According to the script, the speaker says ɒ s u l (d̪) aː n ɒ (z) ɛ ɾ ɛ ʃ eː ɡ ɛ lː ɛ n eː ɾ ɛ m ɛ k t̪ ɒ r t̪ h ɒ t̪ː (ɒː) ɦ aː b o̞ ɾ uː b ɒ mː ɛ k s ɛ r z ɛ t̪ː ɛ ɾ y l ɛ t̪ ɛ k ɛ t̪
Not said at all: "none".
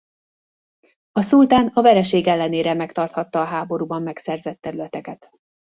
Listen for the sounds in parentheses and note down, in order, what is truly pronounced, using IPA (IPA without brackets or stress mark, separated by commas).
t̪, v, ɒː